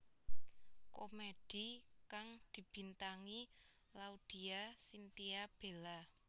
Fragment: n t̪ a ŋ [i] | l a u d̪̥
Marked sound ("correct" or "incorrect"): correct